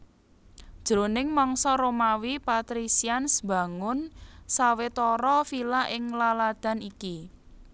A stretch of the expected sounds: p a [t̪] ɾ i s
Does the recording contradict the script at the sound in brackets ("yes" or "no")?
no